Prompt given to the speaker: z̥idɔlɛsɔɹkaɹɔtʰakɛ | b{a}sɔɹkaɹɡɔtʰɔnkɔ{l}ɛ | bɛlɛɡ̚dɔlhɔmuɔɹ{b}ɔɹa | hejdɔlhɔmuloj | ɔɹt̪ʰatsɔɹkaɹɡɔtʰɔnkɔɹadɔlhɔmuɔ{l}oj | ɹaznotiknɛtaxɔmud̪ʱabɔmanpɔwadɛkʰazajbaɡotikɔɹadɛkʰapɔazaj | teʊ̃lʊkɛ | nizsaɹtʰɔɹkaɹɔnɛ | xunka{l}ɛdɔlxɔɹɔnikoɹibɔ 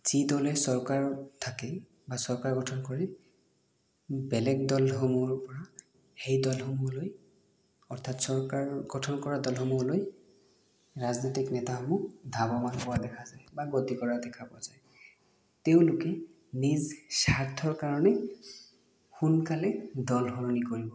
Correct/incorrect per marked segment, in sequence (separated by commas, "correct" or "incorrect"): correct, incorrect, incorrect, correct, correct